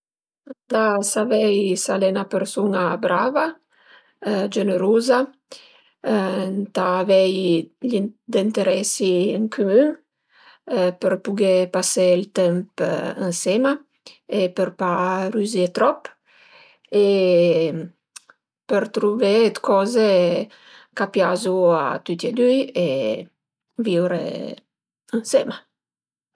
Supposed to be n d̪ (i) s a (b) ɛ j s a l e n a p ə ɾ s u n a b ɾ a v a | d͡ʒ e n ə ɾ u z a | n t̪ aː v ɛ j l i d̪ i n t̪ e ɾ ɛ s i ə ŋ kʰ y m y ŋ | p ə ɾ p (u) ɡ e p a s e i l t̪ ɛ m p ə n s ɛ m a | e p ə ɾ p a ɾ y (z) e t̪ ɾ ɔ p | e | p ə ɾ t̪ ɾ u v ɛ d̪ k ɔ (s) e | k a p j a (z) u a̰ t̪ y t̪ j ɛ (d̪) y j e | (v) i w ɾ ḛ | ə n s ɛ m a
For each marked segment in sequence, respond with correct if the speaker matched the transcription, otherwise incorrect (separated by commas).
incorrect, incorrect, correct, correct, incorrect, correct, correct, correct